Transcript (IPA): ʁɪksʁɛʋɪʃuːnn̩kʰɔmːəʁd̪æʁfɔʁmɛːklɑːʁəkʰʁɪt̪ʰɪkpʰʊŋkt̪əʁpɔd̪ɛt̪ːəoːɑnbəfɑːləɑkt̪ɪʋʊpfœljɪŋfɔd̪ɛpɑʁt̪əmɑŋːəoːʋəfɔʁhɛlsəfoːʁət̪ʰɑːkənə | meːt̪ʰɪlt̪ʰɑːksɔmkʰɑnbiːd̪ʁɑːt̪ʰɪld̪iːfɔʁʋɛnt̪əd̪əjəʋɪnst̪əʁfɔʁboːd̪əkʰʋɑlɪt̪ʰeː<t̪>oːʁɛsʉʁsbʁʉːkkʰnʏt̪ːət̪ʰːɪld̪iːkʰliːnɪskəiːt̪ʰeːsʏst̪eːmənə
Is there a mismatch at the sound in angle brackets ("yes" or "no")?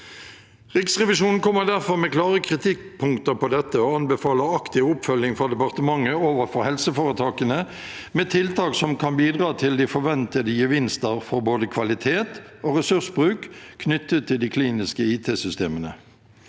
no